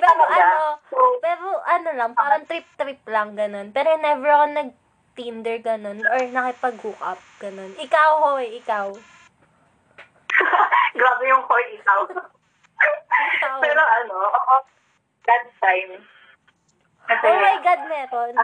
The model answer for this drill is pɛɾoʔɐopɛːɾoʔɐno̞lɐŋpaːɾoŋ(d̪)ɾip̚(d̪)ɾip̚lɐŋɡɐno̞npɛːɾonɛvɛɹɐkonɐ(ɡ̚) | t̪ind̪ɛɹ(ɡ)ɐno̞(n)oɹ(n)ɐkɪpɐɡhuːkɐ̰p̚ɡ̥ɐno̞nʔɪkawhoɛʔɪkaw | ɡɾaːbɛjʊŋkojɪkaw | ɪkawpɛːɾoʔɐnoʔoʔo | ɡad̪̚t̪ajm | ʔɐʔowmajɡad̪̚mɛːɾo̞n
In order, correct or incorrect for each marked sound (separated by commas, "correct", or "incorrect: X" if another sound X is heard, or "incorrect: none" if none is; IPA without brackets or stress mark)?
incorrect: t̪, incorrect: t̪, correct, correct, correct, correct